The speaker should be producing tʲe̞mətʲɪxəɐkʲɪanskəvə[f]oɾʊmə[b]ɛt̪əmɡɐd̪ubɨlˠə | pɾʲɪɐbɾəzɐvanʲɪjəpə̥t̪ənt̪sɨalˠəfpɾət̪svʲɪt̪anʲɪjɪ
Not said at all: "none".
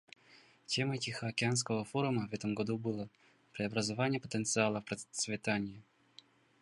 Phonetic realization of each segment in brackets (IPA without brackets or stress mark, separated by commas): f, v